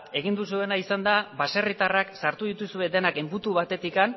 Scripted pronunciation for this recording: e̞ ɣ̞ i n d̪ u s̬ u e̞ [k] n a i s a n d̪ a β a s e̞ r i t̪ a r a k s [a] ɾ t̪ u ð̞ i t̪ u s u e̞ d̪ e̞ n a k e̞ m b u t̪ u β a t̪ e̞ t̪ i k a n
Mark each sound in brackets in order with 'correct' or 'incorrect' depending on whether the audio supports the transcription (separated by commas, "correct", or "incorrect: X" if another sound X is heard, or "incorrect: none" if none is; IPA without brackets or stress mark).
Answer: incorrect: none, correct